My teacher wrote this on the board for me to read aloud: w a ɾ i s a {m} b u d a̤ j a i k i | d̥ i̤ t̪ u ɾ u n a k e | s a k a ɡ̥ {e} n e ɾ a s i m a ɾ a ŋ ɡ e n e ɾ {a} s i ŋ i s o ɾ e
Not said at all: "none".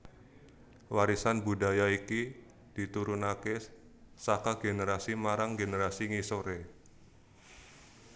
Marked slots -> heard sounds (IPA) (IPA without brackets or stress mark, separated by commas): n, e, a